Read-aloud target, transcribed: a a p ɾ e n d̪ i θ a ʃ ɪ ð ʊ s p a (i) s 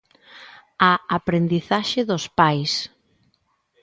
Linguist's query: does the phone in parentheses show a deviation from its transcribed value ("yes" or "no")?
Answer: yes